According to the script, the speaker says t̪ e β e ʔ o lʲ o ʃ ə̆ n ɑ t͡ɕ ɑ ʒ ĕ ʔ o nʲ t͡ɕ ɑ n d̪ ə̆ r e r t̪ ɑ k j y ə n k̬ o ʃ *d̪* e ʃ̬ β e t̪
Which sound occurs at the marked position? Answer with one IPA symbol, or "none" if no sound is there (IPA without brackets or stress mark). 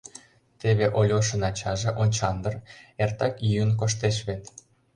t̪